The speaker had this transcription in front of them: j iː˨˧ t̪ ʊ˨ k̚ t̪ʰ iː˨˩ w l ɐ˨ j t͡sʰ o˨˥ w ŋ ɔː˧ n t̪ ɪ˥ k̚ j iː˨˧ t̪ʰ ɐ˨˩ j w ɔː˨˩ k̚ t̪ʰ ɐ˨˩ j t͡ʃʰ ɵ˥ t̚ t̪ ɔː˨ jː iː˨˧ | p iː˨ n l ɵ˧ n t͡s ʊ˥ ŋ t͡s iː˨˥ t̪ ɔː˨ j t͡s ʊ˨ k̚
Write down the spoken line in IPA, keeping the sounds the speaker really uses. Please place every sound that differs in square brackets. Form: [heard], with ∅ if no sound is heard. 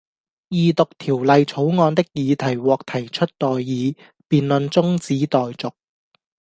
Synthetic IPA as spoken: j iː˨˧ t̪ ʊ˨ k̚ t̪ʰ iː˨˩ w l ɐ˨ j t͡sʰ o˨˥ w ŋ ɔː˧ n t̪ ɪ˥ k̚ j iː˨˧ t̪ʰ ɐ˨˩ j w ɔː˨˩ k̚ t̪ʰ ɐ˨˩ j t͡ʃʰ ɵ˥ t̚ t̪ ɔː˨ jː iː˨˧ | p iː˨ n l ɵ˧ n t͡s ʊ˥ ŋ t͡s iː˨˥ t̪ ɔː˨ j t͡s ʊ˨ k̚